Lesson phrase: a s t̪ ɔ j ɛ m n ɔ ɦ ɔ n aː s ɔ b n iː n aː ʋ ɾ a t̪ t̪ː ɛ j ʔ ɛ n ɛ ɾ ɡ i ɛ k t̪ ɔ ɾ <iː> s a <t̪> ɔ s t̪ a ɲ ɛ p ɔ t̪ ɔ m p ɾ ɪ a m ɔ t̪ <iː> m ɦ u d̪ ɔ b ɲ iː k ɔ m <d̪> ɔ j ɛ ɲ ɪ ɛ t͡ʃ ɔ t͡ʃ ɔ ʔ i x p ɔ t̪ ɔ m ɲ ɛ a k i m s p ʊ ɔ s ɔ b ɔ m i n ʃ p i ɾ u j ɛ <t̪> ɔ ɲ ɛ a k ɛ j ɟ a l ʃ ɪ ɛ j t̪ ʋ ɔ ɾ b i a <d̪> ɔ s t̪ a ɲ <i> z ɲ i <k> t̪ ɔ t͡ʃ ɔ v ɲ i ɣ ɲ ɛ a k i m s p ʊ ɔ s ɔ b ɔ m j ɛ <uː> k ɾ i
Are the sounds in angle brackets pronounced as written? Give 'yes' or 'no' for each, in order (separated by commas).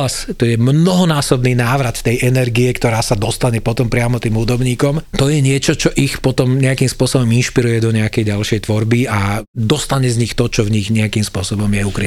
no, no, yes, no, no, yes, no, no, no